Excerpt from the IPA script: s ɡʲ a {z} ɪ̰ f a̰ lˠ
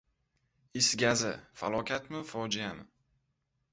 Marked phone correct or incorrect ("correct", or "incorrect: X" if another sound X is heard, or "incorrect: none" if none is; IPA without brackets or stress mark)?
correct